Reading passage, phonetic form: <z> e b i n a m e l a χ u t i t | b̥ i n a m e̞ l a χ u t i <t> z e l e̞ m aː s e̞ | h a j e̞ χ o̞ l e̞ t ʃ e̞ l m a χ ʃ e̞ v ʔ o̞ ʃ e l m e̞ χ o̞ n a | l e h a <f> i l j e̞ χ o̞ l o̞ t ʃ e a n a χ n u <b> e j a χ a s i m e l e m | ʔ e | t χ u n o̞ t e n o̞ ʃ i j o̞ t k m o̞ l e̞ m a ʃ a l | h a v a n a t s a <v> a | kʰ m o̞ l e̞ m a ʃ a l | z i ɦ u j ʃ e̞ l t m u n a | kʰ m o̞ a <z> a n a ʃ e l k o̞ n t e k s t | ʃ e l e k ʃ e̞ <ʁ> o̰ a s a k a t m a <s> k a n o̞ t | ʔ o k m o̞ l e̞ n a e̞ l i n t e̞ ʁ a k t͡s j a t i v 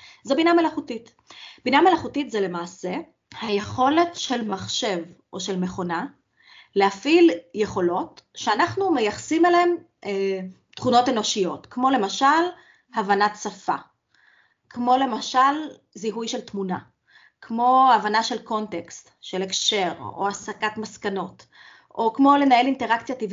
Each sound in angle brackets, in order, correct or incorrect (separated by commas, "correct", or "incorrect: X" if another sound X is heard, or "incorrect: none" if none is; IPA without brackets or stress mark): correct, correct, correct, incorrect: m, incorrect: f, incorrect: v, correct, correct